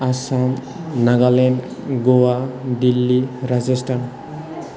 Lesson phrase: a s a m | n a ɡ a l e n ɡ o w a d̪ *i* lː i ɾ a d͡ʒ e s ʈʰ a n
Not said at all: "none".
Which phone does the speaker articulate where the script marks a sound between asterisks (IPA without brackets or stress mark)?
i